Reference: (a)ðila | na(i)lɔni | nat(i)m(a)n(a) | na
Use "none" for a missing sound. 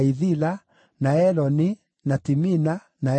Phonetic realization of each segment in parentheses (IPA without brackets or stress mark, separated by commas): i, ɛ, i, i, a